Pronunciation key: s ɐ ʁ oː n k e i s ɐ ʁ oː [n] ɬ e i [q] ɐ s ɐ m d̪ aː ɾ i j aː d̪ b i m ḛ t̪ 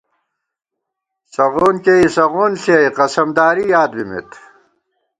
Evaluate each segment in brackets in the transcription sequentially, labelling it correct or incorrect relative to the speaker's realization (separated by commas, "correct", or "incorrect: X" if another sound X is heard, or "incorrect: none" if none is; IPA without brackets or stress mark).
correct, correct